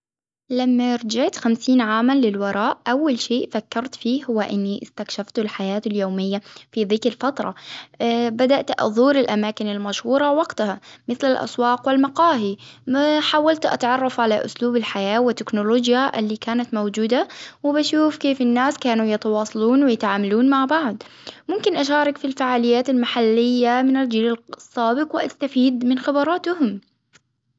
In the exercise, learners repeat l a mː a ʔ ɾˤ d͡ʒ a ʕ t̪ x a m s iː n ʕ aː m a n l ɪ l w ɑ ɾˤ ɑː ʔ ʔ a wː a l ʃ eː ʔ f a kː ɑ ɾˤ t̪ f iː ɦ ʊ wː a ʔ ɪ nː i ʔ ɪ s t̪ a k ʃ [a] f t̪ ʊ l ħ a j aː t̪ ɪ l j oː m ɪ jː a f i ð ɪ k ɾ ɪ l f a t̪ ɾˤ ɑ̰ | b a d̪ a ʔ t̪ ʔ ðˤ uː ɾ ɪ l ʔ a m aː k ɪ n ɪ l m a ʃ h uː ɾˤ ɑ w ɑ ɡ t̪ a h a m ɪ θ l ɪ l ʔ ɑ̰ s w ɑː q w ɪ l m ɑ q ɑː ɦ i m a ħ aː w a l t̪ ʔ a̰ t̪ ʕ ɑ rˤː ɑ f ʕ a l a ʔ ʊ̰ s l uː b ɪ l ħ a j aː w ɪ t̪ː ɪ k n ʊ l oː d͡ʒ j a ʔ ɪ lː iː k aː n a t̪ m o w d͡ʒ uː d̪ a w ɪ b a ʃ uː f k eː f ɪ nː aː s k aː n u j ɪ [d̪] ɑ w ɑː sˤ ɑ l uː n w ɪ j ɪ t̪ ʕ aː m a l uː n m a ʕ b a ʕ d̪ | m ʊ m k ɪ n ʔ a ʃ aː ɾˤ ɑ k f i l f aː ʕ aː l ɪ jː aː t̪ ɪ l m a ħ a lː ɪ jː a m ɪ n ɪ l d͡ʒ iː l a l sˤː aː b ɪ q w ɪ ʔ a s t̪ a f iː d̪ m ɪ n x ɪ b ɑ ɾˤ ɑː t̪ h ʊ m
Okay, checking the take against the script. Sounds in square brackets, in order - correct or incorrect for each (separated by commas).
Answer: correct, incorrect